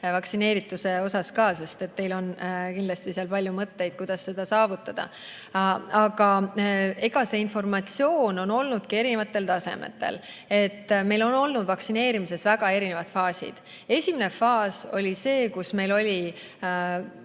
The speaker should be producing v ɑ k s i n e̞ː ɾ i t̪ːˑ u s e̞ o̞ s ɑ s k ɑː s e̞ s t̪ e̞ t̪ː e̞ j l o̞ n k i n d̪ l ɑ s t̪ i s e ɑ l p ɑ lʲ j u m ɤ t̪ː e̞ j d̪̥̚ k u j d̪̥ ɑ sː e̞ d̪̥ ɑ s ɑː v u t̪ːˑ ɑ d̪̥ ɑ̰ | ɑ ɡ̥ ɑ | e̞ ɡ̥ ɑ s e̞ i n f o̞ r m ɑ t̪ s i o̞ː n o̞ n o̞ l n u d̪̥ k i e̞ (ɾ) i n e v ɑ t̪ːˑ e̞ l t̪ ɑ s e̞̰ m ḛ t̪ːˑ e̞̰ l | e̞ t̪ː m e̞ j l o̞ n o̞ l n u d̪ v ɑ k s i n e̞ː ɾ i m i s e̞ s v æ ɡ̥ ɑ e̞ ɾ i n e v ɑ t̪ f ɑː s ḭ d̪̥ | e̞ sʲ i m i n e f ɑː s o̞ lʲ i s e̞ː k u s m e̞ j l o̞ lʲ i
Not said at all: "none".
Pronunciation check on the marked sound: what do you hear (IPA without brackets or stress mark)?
ɾ